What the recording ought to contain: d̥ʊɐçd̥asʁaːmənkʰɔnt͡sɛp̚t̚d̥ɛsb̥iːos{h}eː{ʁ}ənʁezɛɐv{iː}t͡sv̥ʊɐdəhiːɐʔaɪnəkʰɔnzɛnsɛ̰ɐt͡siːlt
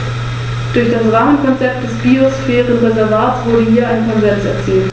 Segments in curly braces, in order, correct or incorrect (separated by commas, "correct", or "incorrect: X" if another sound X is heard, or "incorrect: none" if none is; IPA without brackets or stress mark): incorrect: f, correct, incorrect: aː